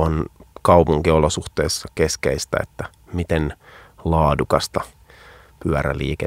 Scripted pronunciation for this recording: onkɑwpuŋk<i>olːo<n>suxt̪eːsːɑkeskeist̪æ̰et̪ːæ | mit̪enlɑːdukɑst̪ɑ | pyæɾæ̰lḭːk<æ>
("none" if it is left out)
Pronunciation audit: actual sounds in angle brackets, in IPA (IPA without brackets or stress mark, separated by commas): i, none, e